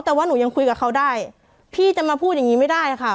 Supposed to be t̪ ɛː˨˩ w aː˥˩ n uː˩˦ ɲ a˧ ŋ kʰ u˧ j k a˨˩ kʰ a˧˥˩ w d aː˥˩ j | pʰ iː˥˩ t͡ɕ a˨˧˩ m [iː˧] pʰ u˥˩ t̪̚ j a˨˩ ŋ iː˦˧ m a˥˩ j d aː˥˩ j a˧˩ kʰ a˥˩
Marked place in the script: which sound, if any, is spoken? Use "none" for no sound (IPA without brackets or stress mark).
aː˧